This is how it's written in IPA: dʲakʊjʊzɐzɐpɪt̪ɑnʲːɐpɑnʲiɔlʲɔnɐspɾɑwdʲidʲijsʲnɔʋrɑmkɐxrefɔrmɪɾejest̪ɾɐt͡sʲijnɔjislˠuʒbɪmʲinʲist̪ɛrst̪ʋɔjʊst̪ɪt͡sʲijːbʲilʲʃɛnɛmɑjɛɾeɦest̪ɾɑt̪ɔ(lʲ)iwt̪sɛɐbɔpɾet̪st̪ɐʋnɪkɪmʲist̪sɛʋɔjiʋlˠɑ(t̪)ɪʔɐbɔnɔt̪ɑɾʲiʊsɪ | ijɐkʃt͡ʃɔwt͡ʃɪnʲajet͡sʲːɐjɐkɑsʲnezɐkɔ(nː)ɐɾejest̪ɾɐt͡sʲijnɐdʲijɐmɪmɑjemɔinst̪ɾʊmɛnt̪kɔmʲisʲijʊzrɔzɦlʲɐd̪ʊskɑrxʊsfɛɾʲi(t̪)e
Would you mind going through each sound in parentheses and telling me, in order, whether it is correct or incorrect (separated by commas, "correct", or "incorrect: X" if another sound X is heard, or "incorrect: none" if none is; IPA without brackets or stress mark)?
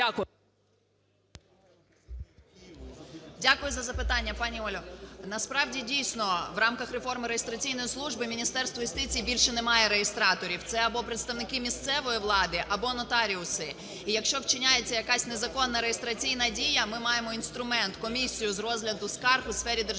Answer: incorrect: ɾʲ, incorrect: d̪, correct, incorrect: d̪